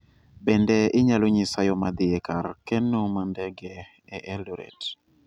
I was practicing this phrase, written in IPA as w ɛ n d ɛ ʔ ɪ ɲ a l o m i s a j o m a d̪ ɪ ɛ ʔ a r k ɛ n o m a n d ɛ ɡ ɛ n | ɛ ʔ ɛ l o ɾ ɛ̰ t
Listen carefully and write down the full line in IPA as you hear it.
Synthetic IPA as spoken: b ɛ n d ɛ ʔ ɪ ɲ a l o ɲ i s a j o m a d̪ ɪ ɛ k a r k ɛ n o m a n d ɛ ɡ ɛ | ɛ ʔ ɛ l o ɾ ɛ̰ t